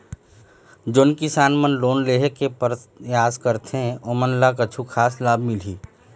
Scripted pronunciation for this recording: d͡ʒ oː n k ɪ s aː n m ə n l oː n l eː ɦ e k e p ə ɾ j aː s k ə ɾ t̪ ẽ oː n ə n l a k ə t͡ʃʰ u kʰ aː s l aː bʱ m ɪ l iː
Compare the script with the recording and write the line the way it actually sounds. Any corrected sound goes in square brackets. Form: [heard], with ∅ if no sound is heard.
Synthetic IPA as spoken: d͡ʒ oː n k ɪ s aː n m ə n l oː n l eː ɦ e k e p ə ɾ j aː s k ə ɾ t̪ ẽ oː [m] ə n l a k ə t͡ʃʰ u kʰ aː s l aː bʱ m ɪ l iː